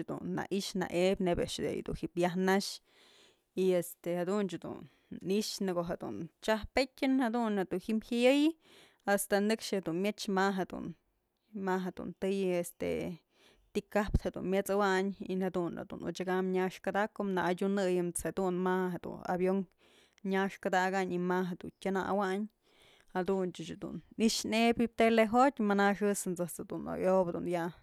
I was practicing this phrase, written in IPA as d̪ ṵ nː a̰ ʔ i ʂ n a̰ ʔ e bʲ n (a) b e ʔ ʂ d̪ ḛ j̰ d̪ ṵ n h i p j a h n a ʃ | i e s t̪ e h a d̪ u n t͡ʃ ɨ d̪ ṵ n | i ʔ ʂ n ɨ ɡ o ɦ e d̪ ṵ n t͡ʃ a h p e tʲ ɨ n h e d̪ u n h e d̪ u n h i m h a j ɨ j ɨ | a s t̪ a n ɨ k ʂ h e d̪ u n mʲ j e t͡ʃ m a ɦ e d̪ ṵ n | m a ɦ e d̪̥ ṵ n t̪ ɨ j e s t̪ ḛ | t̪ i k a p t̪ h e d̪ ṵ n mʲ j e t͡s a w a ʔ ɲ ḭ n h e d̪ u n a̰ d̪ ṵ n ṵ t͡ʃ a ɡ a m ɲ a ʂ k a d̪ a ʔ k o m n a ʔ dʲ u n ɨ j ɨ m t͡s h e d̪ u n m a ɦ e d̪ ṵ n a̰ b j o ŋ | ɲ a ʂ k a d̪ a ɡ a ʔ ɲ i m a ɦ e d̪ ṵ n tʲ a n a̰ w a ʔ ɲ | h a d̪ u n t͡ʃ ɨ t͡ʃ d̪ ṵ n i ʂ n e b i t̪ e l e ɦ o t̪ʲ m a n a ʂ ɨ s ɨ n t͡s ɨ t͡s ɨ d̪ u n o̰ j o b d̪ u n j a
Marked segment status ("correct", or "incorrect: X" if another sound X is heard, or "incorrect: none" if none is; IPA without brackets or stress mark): incorrect: e